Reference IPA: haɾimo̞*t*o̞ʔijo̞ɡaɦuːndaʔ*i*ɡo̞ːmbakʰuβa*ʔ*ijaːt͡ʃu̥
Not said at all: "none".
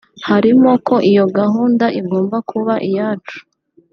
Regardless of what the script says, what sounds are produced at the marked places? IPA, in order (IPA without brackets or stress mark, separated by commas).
k, i, ʔ